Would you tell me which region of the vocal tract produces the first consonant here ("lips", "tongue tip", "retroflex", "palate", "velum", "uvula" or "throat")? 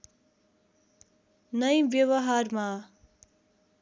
tongue tip